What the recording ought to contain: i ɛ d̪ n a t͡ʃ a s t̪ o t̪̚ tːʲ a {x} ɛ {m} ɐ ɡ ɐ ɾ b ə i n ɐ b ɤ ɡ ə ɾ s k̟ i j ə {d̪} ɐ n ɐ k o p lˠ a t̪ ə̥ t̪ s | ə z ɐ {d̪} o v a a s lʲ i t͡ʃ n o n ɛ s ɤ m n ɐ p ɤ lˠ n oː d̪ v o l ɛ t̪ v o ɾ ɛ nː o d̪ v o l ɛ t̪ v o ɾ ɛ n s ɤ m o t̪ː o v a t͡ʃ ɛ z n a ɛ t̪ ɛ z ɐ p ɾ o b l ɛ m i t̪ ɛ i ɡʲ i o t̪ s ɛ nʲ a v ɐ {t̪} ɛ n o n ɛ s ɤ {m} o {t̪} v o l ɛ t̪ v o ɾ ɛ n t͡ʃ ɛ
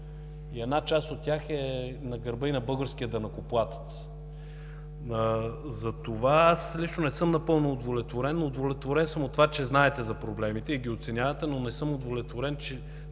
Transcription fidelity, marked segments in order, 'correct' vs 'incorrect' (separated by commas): correct, incorrect, correct, incorrect, correct, correct, incorrect